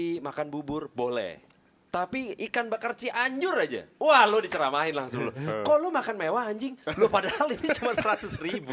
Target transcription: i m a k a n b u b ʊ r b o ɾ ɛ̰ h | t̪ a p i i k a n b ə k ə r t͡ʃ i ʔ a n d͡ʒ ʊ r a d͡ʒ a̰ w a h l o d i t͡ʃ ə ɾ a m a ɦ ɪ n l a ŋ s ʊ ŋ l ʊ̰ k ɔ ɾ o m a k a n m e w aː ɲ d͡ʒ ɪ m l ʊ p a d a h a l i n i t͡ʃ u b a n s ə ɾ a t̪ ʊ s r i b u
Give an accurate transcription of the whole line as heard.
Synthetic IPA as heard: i m a k a n b u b ʊ r b o l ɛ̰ h | t̪ a p i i k a n b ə k ə r t͡ʃ i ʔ a ɲ d͡ʒ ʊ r a d͡ʒ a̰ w a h l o d i t͡ʃ ə ɾ a m a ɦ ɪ n l a ŋ s ʊ ŋ l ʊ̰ k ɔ l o m a k a n m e w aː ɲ d͡ʒ ɪ ŋ l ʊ p a d a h a l i n i t͡ʃ u m a n s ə ɾ a t̪ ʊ s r i b u